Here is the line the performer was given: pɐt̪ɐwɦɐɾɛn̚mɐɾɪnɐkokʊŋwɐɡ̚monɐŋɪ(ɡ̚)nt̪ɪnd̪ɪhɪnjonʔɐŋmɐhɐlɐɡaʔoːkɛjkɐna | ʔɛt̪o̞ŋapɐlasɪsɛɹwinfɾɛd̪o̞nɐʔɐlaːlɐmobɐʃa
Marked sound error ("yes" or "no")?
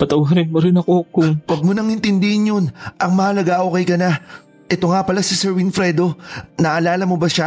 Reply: yes